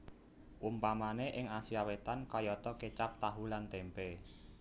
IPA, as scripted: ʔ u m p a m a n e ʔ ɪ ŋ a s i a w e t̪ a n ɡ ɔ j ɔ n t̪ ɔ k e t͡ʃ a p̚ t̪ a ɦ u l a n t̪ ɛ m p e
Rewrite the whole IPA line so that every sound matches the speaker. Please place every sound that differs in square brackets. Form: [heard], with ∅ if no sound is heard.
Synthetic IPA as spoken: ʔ u m p a m a n e ʔ ɪ ŋ a s i a w e t̪ a n [k] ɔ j ɔ [∅] t̪ ɔ k e t͡ʃ a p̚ t̪ a ɦ u l a n t̪ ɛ m p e